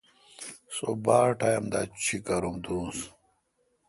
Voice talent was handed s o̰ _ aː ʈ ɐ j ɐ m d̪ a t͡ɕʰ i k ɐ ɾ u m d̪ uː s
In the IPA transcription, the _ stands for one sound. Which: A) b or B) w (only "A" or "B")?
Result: A